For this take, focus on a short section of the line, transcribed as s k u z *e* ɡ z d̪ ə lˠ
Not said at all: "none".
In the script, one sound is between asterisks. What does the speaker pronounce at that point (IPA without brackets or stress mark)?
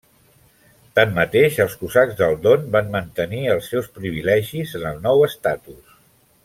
a